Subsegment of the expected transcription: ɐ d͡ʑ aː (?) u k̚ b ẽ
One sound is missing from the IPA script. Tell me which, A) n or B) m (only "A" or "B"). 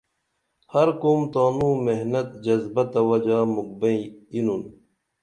B